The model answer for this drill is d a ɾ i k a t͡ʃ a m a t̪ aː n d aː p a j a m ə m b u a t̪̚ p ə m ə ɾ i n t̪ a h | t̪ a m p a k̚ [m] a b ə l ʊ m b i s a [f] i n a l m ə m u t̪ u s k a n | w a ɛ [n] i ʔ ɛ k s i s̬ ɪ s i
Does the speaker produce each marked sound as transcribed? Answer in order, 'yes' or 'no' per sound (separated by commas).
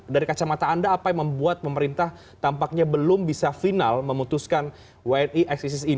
no, yes, yes